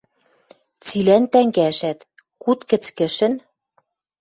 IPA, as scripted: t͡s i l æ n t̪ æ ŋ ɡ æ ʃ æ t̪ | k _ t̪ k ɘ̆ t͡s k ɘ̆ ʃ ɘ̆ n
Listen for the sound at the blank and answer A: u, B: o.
A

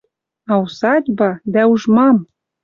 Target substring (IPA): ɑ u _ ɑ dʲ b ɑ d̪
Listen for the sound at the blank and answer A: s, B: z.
A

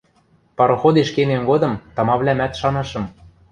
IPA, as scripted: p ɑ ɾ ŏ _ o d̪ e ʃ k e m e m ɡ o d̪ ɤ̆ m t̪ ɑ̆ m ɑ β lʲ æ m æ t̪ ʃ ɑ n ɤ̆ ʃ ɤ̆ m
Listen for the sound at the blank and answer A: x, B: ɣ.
A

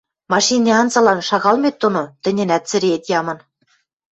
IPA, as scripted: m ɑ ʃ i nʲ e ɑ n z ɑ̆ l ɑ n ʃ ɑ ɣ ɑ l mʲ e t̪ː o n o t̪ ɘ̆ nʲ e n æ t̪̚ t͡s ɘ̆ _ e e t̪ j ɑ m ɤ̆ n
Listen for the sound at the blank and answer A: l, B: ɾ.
B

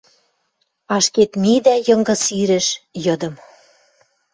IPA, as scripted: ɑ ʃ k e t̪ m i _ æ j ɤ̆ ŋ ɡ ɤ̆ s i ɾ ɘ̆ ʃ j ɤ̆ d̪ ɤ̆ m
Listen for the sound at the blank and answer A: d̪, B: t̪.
A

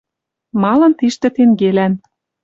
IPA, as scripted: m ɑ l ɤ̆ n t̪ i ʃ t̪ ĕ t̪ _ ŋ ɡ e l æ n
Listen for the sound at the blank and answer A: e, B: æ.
A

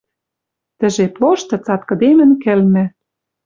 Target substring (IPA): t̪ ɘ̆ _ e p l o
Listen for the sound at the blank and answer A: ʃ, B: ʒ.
B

